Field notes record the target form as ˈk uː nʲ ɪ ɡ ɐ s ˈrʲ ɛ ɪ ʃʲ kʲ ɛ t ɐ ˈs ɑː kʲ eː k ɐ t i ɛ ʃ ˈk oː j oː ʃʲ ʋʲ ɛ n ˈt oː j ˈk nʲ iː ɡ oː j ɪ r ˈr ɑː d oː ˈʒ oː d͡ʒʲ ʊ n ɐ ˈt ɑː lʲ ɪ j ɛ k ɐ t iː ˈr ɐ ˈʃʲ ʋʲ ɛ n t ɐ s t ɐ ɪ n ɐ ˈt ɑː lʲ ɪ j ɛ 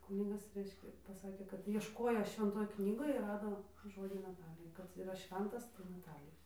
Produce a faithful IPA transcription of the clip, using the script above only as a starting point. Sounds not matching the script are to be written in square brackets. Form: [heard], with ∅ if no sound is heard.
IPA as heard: ˈk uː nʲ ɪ ɡ ɐ s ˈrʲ ɛ ɪ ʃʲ kʲ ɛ [p] ɐ ˈs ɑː kʲ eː k ɐ t i ɛ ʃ ˈk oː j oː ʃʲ ʋʲ ɛ n ˈt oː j ˈk nʲ iː ɡ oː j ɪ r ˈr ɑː d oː ˈʒ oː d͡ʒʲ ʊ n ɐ ˈt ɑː lʲ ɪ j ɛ k ɐ t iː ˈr ɐ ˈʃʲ ʋʲ ɛ n t ɐ s t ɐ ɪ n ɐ ˈt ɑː lʲ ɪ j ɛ